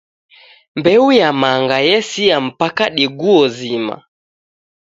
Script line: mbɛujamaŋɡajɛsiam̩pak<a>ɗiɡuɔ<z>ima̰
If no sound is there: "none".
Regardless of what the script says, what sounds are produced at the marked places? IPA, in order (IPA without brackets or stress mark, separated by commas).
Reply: a, z